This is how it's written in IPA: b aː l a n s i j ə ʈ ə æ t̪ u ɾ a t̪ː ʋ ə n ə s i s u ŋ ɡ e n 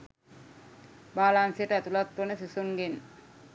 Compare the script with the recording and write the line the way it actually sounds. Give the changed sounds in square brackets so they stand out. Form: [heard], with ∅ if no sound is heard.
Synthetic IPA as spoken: b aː l a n s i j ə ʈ ə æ t̪ u [l] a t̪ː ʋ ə n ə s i s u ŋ ɡ e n